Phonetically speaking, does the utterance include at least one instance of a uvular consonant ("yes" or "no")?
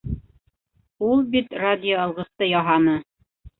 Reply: yes